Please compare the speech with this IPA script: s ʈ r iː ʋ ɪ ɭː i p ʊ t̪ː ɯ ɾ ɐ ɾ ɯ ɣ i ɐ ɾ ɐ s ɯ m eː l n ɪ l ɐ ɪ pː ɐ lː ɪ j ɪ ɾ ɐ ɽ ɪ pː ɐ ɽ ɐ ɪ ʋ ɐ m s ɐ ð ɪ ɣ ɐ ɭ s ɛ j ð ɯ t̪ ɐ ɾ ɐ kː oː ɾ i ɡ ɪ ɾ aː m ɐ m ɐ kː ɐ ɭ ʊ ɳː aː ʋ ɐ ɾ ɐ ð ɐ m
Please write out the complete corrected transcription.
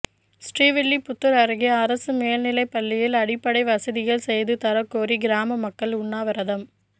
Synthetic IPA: s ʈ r iː ʋ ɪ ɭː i p ʊ t̪ː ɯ ɾ ɐ ɾ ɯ ɣ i ɐ ɾ ɐ s ɯ m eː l n ɪ l ɐ ɪ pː ɐ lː ɪ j ɪ l ɐ ɽ ɪ pː ɐ ɽ ɐ ɪ ʋ ɐ s ɐ ð ɪ ɣ ɐ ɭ s ɛ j ð ɯ t̪ ɐ ɾ ɐ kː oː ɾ i ɡ ɪ ɾ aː m ɐ m ɐ kː ɐ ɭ ʊ ɳː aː ʋ ɐ ɾ ɐ ð ɐ m